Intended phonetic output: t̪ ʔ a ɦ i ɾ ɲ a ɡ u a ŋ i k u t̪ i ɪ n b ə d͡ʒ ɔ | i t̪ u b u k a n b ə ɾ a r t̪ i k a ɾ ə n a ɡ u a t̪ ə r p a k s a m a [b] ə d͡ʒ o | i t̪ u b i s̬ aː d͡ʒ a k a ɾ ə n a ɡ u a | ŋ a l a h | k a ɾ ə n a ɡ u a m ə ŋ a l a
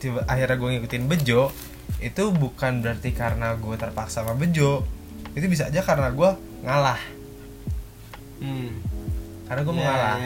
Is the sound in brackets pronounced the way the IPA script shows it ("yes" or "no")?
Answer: yes